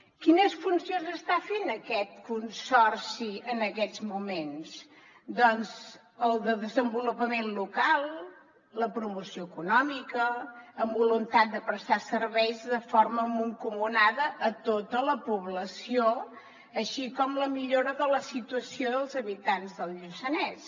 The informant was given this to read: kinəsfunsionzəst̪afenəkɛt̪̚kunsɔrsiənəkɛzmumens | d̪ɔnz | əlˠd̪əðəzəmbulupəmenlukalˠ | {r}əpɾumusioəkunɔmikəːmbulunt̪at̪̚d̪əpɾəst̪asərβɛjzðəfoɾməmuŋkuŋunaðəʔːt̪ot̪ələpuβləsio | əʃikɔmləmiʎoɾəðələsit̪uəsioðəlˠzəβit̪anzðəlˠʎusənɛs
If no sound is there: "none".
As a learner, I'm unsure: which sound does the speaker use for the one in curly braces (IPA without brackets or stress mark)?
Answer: l